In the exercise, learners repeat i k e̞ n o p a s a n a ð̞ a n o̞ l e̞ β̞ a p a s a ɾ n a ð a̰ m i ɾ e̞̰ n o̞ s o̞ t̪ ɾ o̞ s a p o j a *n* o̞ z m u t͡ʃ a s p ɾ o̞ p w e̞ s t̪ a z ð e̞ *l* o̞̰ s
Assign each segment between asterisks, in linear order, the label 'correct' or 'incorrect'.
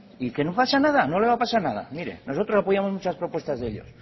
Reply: incorrect: m, incorrect: ʎ

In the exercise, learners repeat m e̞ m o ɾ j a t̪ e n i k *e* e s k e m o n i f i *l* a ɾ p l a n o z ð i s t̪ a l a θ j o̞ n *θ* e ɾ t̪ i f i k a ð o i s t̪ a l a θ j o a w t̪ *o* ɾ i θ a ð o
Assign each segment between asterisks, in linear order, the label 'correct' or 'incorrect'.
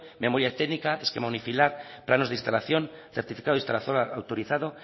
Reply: incorrect: a, correct, correct, correct

